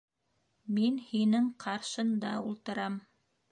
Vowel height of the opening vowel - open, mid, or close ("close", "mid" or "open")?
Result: close